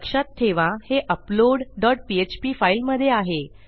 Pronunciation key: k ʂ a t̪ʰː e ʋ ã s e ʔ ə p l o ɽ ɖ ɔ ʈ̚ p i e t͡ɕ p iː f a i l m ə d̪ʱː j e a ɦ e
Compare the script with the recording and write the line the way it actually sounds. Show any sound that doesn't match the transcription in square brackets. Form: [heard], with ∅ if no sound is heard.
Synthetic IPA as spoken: k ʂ a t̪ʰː e ʋ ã [h] e ʔ ə p l o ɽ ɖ ɔ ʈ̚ p i e t͡ɕ p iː f a i l m ə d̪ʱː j e a ɦ e